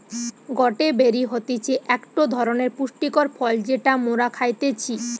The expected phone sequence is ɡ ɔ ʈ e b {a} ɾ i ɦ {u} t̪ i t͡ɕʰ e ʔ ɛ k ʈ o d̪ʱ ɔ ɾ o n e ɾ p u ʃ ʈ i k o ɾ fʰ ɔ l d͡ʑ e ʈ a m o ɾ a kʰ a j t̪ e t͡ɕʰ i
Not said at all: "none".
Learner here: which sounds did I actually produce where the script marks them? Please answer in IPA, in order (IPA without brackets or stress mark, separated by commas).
e, o